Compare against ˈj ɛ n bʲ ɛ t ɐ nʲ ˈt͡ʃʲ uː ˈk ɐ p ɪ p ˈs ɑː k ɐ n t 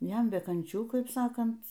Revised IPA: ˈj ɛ m bʲ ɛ k ɐ nʲ ˈt͡ʃʲ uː ˈk ɐ ɪ p ˈs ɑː k ɐ n t

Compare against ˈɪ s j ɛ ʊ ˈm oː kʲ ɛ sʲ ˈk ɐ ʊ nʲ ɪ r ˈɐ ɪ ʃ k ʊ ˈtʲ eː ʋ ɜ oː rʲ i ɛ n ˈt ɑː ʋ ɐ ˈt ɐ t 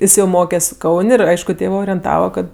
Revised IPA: ˈɪ s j ɛ ʊ ˈm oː kʲ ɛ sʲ ˈk ɐ ʊ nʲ ɪ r ˈɐ ɪ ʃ k ʊ ˈtʲ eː ʋ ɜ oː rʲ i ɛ n ˈt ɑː ʋ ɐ ˈk ɐ t

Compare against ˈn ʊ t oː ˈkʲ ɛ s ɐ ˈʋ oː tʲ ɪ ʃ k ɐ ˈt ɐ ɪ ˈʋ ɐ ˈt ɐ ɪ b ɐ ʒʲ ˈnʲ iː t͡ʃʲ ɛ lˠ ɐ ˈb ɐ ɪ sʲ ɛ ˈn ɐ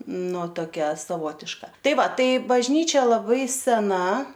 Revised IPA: ˈn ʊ t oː ˈkʲ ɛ s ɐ ˈʋ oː tʲ ɪ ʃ k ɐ ˈt ɐ ɪ ˈʋ ɐ ˈt ɐ ɪ b ɐ ʒʲ ˈnʲ iː t͡ʃʲ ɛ lˠ ɐ ˈb ɐ ɪ sʲ ɛ ˈn ɐ

